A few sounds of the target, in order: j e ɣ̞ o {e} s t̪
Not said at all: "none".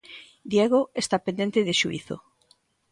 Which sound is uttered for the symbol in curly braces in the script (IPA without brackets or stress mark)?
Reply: e